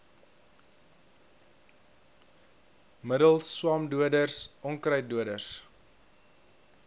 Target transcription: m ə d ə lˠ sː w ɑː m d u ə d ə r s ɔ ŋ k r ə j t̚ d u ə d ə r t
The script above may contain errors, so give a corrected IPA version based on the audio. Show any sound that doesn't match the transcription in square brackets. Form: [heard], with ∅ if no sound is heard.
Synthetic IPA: m ə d ə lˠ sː w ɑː m d u ə d ə r s ɔ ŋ k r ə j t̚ d u ə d ə r [s]

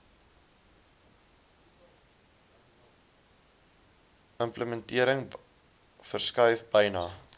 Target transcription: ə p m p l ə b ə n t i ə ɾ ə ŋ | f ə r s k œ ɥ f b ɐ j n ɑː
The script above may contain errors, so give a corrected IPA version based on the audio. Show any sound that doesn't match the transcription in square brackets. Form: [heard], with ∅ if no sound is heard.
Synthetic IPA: ə [∅] m p l ə [m] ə n t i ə ɾ ə ŋ | f ə r s k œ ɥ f b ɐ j n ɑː

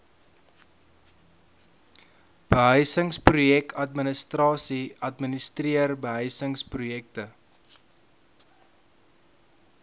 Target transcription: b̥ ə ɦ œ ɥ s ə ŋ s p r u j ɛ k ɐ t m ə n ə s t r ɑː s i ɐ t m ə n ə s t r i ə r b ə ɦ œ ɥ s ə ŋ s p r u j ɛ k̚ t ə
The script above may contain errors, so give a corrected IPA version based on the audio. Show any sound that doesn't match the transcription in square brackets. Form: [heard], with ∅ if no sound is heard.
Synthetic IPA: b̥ ə ɦ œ ɥ s ə ŋ s p r u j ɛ k ɐ t m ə n ə s t r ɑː s i ɐ t m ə n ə s t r i ə r b ə ɦ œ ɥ s ə ŋ s p r u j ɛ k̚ t ə

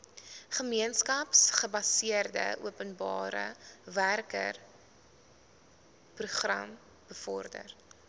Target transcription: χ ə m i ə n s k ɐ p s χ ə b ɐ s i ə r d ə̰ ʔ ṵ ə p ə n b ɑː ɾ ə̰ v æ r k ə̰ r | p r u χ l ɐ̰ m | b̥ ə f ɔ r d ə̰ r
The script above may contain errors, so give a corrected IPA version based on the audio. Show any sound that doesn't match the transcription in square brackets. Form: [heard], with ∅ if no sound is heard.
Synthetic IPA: χ ə m i ə n s k ɐ p s χ ə b ɐ s i ə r d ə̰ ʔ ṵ ə p ə n b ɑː ɾ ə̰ v æ r k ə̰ r | p r u χ [r] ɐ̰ m | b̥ ə f ɔ r d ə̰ r

